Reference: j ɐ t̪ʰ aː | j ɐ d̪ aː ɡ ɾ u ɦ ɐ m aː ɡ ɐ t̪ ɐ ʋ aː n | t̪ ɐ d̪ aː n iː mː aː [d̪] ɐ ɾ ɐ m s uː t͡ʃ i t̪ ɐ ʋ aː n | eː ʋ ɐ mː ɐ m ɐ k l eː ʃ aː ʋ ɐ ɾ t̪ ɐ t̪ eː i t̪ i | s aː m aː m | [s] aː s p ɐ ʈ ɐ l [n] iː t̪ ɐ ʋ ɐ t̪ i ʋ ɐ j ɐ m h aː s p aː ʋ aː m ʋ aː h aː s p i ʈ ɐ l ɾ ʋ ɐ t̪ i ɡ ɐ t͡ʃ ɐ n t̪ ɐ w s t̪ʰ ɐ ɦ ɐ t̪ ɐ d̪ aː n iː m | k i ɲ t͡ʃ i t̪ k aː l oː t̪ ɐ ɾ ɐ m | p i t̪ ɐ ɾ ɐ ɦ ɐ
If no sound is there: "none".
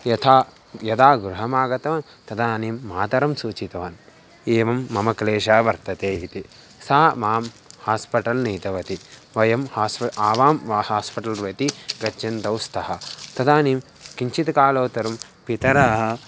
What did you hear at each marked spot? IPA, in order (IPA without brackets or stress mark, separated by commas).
t̪, h, n